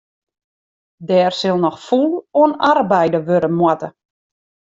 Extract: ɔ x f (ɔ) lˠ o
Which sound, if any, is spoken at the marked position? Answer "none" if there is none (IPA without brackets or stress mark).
u